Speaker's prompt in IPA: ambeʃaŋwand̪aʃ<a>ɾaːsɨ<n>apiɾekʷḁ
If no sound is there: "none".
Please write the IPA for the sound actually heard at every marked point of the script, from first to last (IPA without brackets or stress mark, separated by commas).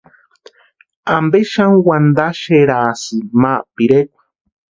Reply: e, m